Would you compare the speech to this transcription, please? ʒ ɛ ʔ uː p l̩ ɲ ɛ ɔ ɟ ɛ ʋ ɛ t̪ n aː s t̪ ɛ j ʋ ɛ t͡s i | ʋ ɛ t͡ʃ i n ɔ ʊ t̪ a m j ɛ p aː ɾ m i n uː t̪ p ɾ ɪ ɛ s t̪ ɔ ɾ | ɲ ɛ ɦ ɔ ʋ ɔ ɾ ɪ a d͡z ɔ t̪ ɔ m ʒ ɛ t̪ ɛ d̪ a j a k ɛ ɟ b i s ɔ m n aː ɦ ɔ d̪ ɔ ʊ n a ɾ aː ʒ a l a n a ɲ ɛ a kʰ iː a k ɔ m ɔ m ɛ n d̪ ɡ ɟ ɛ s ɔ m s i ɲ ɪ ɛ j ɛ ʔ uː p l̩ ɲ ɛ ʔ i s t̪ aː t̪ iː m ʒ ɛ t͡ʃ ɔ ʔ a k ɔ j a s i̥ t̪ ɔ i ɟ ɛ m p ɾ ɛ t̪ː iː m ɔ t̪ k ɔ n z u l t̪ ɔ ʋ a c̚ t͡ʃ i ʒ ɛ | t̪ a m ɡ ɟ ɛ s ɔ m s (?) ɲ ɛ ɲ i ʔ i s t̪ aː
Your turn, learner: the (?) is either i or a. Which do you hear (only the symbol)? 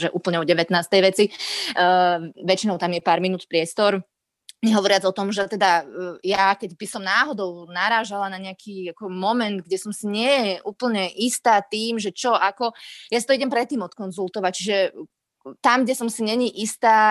i